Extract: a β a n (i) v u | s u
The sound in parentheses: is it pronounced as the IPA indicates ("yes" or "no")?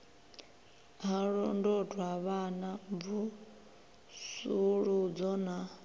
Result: no